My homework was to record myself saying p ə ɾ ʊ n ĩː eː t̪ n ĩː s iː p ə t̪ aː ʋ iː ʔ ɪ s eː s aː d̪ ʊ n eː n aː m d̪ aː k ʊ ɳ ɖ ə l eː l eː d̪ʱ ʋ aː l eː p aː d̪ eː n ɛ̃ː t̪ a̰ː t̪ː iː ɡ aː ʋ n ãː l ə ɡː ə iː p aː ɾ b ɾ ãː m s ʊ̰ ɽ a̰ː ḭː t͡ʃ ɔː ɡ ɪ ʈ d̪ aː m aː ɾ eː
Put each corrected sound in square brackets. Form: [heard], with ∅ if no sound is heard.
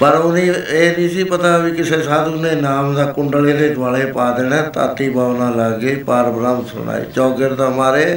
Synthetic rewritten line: p ə ɾ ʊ n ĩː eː [∅] n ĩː s iː p ə t̪ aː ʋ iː [k] ɪ s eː s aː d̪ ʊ n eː n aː m d̪ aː k ʊ ɳ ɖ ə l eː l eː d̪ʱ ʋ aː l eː p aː d̪ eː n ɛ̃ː t̪ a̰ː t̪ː iː [b] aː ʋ n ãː l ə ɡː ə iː p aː ɾ b ɾ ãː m s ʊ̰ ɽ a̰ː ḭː t͡ʃ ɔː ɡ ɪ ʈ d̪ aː m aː ɾ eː